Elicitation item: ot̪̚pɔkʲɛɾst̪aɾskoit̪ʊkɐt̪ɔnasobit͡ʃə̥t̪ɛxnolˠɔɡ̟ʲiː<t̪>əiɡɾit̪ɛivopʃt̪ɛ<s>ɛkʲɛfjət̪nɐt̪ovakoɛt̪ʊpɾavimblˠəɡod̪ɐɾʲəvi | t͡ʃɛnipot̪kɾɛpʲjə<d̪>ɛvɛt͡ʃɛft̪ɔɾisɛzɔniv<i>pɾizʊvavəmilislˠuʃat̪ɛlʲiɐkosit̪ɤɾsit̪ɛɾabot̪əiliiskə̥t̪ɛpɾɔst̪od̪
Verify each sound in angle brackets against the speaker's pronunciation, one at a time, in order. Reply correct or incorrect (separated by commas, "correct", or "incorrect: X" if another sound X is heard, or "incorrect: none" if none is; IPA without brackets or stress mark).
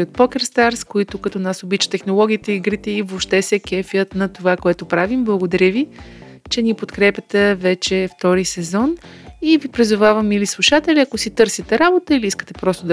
correct, correct, incorrect: t̪, correct